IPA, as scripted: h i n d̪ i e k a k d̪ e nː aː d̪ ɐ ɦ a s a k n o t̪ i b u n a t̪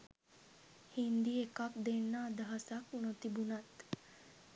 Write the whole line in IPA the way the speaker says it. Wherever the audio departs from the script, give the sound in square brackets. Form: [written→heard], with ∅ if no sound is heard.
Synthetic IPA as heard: h i n d̪ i e k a k d̪ e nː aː d̪ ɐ ɦ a s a k n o t̪ i b u n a t̪